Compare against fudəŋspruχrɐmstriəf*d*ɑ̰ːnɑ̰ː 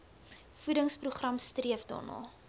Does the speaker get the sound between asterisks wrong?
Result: no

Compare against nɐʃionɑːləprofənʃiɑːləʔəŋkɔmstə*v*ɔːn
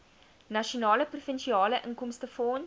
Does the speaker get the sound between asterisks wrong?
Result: yes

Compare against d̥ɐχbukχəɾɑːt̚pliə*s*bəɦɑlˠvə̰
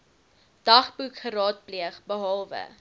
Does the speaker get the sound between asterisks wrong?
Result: yes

